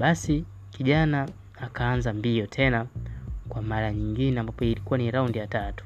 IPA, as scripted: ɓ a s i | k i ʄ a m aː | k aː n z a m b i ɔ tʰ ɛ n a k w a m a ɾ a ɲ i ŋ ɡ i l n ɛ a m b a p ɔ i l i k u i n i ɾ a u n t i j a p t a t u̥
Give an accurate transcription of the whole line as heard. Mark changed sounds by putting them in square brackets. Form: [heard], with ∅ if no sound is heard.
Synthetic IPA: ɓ a s i | k i ʄ a [n] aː | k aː n z a m b i ɔ tʰ ɛ n a k w a m a ɾ a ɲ i ŋ ɡ i [∅] n ɛ a m b a p ɔ i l i k u [a] n i ɾ a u n [d] i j a [∅] t a t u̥